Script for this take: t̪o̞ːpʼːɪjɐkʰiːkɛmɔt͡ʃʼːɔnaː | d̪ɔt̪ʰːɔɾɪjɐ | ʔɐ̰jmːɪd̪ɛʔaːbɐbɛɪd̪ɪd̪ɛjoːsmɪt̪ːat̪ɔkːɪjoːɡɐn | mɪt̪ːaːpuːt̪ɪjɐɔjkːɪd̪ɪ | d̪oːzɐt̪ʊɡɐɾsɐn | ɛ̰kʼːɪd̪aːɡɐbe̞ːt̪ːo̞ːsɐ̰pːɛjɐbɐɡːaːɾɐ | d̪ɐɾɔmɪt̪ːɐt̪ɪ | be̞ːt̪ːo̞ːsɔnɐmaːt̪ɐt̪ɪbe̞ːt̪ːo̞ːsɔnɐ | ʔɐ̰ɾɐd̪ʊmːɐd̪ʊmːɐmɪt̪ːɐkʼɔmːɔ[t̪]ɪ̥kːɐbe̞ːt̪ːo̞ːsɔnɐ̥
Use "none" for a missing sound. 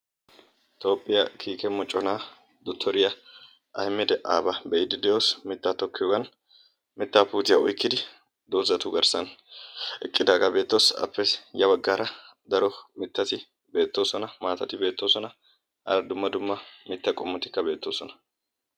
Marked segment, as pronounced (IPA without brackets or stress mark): t̪